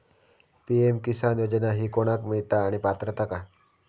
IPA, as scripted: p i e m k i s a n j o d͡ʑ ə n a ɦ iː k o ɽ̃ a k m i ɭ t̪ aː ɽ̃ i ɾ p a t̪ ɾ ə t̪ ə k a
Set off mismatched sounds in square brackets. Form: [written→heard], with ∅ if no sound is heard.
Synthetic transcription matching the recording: p i e m k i s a n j o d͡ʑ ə n a ɦ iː k o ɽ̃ a k m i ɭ t̪ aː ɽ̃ i [ɾ→∅] p a t̪ ɾ ə t̪ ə k a

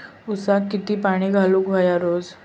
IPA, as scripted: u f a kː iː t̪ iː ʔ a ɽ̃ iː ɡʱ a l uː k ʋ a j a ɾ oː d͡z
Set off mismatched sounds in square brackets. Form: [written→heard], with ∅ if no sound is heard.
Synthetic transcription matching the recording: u [f→s] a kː [iː→i] t̪ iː [ʔ→p] a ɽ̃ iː ɡʱ a l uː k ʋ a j a ɾ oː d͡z

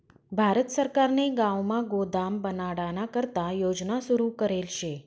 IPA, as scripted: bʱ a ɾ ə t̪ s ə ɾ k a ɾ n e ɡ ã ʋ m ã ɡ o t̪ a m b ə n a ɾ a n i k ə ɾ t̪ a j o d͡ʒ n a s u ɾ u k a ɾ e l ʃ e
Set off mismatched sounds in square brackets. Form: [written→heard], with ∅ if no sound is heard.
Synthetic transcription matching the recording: bʱ a ɾ ə t̪ s ə ɾ k a ɾ n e ɡ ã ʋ m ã ɡ o [t̪→d̪] a m b ə n a [ɾ→ɽ] a n [i→a] k ə ɾ t̪ a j o d͡ʒ n a s u ɾ u k [a→ə] ɾ e l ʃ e

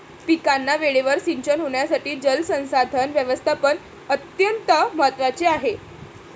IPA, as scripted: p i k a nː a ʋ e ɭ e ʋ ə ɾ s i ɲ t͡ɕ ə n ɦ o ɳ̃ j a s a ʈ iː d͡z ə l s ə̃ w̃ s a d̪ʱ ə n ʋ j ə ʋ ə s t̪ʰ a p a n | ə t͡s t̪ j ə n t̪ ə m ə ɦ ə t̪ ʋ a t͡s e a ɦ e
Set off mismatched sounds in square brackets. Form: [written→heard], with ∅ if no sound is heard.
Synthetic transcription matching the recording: p i k a nː a ʋ e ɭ e ʋ ə ɾ s i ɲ t͡ɕ ə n ɦ o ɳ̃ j a s a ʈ iː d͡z ə l s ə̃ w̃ s a d̪ʱ ə n ʋ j ə ʋ ə s t̪ʰ a p [a→ə] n | ə [t͡s→∅] t̪ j ə n t̪ ə m ə ɦ ə t̪ ʋ a t͡s e a ɦ e

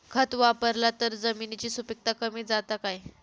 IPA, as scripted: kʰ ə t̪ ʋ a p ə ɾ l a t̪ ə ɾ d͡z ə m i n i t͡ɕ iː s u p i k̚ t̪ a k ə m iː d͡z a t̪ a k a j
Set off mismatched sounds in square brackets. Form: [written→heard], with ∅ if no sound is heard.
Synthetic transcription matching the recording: kʰ ə t̪ ʋ a p ə ɾ l a t̪ ə ɾ d͡z ə m i n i t͡ɕ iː s u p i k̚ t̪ a k ə m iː d͡z a t̪ a k a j

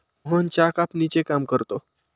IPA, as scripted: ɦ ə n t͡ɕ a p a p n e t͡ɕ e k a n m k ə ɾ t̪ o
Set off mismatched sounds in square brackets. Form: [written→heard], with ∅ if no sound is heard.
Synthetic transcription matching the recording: ɦ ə n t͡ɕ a [p→k] a p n [e→i] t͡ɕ e k a [n→∅] m k ə ɾ t̪ o

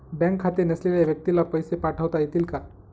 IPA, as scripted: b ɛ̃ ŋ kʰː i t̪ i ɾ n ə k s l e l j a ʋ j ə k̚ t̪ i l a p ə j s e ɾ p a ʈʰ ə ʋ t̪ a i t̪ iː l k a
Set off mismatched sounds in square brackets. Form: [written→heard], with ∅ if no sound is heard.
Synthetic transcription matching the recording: b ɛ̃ ŋ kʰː [i→a] t̪ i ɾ n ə [k→∅] s l e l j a ʋ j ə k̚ t̪ i l a p ə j s e [ɾ→∅] p a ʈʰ ə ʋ t̪ a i t̪ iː l k a

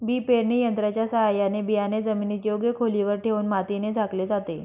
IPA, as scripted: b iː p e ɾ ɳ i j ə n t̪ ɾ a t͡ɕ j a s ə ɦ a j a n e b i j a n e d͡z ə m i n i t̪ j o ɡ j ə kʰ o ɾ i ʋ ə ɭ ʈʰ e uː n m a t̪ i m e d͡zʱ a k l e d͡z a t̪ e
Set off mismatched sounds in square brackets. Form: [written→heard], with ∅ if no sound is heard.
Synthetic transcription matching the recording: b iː p e ɾ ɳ i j ə n t̪ ɾ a t͡ɕ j a s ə ɦ a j a n e b i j a n e d͡z ə m i n i t̪ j o ɡ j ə kʰ o [ɾ→l] i ʋ ə [ɭ→ɾ] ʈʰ e uː n m a t̪ i [m→n] e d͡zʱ a k l e d͡z a t̪ e

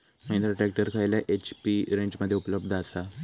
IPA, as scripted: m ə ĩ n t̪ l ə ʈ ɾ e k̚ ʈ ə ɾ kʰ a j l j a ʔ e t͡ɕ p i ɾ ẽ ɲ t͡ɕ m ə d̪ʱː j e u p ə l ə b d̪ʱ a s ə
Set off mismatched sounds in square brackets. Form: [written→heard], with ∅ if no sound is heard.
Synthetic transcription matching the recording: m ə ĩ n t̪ [l→ɾ] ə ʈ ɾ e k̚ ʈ ə ɾ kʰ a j l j a ʔ e t͡ɕ p i ɾ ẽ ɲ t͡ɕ m ə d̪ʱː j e u p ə l ə b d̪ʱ a s [ə→a]

